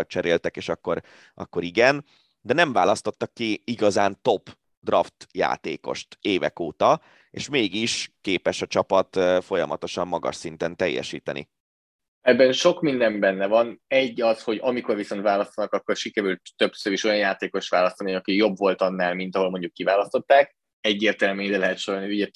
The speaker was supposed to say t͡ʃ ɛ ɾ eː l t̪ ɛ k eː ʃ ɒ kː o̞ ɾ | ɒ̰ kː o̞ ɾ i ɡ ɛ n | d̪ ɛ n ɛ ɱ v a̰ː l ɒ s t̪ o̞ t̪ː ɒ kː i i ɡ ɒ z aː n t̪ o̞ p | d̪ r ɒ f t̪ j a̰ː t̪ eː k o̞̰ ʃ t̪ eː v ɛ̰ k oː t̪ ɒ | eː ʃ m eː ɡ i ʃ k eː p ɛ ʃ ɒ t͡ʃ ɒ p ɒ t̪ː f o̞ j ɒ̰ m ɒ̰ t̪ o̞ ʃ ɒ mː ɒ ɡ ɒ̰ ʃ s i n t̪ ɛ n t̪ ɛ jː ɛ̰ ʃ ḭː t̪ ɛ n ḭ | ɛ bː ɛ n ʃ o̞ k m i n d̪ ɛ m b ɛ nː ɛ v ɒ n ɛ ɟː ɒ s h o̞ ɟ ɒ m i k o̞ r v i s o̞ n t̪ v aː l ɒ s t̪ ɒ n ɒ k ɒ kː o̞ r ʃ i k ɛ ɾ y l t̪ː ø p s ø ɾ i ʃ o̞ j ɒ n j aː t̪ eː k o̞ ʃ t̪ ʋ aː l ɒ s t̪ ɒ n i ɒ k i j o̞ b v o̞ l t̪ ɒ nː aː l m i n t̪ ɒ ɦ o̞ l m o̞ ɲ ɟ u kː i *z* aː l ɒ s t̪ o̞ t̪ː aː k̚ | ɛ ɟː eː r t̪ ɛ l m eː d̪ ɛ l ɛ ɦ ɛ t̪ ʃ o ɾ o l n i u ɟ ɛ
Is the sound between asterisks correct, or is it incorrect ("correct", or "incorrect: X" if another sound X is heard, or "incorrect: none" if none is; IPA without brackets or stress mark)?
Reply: incorrect: v